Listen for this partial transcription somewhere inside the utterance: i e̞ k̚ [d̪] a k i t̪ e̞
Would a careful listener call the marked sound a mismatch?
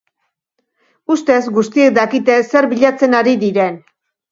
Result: no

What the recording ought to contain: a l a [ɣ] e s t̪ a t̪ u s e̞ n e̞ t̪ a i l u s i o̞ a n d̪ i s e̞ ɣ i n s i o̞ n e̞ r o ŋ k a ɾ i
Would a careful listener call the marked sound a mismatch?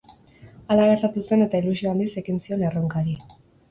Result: no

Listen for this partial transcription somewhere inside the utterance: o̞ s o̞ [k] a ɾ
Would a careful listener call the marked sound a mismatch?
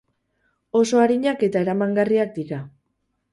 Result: yes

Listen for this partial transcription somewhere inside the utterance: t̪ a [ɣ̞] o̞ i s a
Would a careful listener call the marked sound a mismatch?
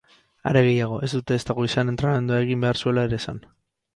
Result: no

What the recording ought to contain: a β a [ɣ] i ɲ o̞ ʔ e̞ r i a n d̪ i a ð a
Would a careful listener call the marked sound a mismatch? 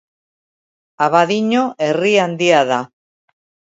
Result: yes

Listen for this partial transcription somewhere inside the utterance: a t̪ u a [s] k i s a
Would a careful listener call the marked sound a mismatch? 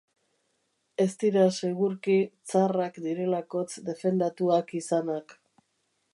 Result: yes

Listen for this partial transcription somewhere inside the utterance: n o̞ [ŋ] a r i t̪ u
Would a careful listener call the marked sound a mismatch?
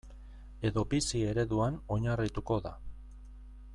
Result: yes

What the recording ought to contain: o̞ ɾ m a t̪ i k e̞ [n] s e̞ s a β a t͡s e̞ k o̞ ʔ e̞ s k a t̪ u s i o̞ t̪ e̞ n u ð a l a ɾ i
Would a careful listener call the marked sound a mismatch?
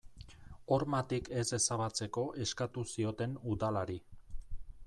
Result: yes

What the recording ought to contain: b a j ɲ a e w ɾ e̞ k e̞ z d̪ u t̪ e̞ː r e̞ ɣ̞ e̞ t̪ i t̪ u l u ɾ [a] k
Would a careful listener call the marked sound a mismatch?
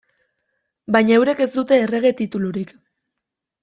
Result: yes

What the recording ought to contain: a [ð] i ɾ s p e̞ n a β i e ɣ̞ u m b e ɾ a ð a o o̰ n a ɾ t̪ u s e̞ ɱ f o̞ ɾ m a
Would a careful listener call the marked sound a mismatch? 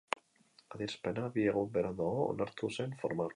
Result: no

